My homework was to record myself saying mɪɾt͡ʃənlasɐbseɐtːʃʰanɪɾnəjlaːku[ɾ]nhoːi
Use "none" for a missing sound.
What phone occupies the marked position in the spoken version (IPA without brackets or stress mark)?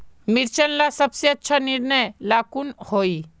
none